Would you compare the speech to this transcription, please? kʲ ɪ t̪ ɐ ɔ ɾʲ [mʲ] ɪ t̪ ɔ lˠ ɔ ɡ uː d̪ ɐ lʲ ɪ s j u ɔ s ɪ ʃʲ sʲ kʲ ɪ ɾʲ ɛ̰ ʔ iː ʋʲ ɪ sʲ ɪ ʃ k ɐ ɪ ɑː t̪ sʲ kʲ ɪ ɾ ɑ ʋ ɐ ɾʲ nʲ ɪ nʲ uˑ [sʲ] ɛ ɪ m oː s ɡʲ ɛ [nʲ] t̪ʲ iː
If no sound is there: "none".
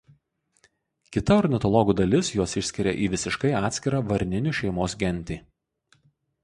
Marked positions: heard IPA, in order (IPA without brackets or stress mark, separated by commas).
nʲ, ʃʲ, nʲ